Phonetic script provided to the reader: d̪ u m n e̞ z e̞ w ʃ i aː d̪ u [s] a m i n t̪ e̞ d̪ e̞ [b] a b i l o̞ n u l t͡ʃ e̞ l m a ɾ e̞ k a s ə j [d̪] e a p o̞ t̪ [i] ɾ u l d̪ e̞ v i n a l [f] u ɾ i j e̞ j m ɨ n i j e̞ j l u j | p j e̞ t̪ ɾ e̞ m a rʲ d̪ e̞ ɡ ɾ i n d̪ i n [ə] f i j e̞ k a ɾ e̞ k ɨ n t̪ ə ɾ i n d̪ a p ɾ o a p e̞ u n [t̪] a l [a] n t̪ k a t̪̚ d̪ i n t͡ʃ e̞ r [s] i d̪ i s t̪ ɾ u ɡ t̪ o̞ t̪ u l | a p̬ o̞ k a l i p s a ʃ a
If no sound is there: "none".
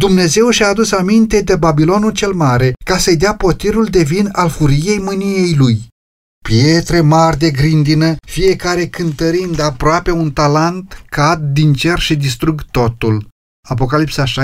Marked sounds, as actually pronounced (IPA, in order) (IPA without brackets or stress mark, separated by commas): s, b, d̪, i, f, ə, t̪, a, ʃ